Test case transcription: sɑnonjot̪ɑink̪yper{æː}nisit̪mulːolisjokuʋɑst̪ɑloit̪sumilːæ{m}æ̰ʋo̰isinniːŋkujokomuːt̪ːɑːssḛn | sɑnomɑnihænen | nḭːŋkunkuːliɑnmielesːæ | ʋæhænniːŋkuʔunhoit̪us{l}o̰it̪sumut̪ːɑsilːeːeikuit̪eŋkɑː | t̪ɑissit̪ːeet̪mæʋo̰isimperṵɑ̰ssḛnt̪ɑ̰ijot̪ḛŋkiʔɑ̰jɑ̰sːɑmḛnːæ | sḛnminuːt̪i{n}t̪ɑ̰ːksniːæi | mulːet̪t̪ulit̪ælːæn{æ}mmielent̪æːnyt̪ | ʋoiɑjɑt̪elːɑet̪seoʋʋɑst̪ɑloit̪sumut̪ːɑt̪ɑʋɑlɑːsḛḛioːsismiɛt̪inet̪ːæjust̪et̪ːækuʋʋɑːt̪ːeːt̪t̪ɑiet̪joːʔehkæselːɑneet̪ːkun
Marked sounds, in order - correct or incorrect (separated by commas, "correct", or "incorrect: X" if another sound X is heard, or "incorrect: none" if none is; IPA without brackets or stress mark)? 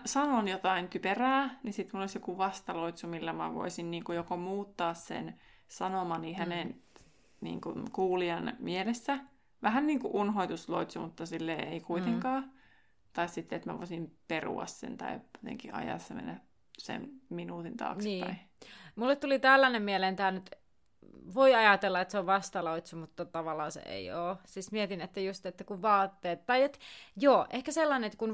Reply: correct, correct, correct, correct, incorrect: e